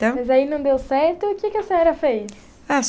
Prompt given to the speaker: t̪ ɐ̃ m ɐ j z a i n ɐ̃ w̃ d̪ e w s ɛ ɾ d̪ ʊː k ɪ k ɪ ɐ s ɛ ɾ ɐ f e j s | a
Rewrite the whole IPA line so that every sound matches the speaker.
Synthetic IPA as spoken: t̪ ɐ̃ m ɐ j z a i n ɐ̃ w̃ d̪ e w s ɛ ɾ t̪ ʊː k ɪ k ɪ ɐ s ɛ ɾ ɐ f e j s | a